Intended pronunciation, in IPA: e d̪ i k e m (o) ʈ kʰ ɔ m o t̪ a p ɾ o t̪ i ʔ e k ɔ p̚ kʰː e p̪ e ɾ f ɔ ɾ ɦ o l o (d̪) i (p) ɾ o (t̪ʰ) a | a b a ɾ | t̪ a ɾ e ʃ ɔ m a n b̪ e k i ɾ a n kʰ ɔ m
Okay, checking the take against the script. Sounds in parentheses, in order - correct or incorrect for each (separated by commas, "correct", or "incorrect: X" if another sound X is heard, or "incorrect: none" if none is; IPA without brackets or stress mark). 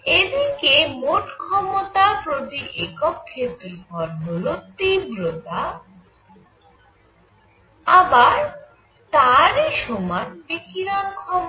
correct, incorrect: t̪, incorrect: b, incorrect: t̪